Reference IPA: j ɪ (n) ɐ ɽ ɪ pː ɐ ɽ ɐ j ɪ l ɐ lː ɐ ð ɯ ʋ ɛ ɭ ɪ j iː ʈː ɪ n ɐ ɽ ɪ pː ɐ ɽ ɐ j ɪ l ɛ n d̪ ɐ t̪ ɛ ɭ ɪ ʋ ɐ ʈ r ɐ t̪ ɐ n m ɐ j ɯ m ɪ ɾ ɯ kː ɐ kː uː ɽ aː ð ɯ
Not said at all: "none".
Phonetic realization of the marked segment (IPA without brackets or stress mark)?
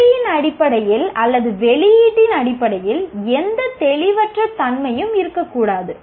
n